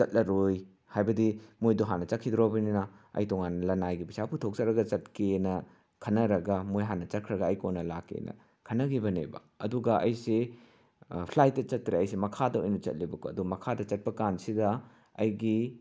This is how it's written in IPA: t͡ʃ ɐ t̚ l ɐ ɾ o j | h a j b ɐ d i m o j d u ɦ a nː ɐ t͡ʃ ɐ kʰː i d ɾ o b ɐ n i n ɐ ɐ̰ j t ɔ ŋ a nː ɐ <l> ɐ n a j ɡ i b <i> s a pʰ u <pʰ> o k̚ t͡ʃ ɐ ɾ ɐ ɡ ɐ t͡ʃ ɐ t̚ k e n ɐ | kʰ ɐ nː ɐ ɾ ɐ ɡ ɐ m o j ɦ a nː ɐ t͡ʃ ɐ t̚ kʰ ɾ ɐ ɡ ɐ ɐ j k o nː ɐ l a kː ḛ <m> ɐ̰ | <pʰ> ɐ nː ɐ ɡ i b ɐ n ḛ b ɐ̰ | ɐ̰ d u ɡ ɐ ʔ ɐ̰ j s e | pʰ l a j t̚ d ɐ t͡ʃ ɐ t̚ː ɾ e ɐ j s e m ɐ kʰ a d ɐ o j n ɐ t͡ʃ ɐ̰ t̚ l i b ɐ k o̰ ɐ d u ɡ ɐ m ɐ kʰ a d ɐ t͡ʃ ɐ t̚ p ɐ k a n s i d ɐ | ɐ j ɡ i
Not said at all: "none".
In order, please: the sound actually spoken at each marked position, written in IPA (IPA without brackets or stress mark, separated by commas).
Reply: l, i, tʰ, n, kʰ